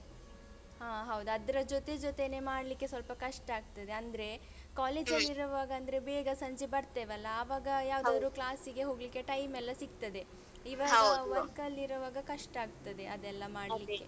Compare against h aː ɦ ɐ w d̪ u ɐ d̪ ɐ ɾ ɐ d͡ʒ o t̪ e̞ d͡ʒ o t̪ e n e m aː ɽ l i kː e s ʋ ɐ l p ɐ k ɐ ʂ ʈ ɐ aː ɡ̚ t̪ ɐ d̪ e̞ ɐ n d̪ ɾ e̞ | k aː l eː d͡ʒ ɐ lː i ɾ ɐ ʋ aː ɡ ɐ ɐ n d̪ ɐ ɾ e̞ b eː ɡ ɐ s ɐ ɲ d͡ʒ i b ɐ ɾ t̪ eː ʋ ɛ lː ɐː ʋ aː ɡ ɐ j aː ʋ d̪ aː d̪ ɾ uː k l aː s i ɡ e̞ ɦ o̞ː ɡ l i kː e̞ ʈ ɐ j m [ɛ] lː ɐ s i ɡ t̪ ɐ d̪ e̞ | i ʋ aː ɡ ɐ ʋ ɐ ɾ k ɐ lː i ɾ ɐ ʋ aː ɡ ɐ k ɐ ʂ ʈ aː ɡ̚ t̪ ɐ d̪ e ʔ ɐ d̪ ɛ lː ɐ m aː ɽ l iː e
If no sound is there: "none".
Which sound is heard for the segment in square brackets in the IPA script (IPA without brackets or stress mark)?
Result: ɛ